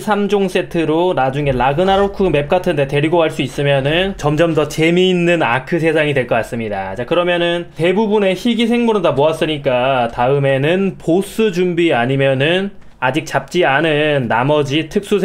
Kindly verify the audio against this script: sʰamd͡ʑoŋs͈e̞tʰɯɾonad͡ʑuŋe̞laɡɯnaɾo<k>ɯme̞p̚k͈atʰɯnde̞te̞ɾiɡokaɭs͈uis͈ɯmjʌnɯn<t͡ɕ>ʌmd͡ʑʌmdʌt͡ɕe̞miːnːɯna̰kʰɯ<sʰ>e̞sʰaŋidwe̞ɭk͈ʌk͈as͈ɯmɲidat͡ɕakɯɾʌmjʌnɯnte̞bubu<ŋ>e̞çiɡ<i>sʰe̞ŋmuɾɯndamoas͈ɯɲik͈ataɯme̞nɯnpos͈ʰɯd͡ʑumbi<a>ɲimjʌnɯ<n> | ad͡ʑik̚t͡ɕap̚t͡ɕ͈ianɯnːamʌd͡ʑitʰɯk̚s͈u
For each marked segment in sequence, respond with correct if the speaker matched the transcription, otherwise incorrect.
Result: incorrect: kʰ, correct, correct, incorrect: n, correct, correct, correct

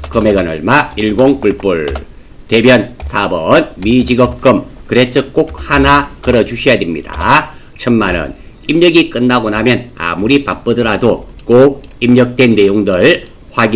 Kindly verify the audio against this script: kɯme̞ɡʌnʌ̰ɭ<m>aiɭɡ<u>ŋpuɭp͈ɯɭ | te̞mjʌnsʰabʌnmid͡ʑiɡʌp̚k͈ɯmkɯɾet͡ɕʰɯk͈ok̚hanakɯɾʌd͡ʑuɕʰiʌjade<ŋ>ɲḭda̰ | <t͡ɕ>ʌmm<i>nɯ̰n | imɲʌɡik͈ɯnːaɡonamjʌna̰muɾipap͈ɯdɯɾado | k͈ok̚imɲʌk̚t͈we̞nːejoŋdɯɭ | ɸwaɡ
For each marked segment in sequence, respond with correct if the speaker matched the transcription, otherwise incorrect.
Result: correct, incorrect: o, incorrect: m, incorrect: t͡ɕʰ, incorrect: a

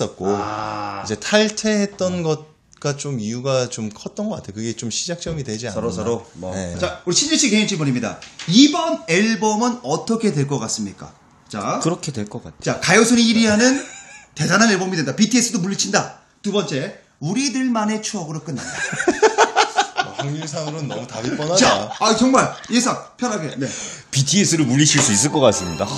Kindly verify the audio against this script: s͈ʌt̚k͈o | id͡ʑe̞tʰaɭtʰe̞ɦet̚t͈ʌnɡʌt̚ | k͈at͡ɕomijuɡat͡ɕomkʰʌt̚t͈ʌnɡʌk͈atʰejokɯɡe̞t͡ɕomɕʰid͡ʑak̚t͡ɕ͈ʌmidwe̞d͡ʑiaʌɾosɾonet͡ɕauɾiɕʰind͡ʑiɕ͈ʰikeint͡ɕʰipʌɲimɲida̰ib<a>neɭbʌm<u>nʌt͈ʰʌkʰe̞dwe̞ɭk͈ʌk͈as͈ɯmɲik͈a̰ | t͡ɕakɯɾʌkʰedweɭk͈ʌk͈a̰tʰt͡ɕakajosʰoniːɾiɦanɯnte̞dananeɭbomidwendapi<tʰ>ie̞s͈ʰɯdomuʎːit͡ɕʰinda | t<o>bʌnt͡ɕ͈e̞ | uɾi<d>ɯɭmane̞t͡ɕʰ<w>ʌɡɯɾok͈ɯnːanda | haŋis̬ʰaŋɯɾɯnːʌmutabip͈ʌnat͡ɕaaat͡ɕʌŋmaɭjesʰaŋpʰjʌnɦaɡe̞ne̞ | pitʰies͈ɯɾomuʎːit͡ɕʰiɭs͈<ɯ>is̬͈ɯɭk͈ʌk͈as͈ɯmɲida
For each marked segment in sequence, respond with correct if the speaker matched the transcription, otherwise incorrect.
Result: incorrect: ʌ, incorrect: ɯ, correct, incorrect: u, correct, incorrect: u, incorrect: u

